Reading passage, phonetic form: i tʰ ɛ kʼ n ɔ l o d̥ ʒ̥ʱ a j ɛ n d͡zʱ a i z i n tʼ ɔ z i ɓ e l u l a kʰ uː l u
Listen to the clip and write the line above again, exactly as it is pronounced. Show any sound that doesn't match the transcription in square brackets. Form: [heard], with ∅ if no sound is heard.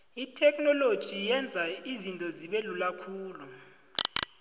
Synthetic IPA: i tʰ ɛ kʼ n ɔ l o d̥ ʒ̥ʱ [i] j ɛ n d͡zʱ a i z i n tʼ ɔ z i ɓ e l u l a kʰ uː l u